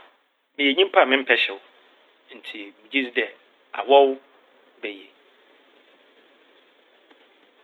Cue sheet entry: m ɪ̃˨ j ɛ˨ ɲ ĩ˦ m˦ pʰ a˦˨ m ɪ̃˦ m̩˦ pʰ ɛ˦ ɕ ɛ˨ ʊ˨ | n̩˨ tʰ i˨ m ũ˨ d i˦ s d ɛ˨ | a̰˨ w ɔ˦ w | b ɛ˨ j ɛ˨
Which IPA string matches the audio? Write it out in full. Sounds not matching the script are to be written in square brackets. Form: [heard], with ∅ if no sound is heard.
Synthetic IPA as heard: m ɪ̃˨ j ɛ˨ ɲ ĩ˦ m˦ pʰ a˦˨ m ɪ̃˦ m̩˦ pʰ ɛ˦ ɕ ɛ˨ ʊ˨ | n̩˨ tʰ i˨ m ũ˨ [d͡ʑ] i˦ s d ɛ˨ | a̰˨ w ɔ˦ w | b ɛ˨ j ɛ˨